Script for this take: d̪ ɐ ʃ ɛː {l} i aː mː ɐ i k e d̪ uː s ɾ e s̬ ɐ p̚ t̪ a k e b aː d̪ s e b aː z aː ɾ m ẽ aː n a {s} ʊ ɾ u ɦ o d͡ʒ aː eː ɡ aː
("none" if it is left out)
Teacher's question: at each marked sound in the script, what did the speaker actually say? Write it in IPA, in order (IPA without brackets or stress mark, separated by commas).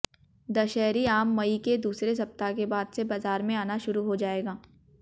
ɾ, ʃ